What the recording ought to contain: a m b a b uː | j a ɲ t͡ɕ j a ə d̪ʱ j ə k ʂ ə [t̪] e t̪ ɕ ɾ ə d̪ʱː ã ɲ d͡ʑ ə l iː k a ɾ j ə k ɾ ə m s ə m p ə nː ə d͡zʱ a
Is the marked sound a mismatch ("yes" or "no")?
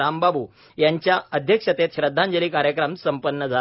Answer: no